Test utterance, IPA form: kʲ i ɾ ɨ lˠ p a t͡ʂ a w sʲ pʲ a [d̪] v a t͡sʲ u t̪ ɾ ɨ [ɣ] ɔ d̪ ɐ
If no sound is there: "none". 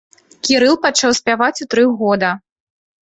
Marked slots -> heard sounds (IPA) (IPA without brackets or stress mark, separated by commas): none, ɣ